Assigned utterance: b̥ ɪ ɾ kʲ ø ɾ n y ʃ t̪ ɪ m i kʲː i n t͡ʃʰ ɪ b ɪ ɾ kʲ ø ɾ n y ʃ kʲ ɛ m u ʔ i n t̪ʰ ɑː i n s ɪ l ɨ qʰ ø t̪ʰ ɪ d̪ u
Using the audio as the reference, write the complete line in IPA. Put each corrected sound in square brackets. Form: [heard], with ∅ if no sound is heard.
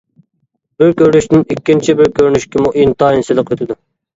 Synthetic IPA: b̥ ɪ ɾ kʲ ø ɾ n y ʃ t̪ ɪ [n] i kʲː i n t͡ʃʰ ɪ b ɪ ɾ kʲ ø ɾ n y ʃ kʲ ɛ m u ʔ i n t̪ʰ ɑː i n s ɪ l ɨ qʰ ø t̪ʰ ɪ d̪ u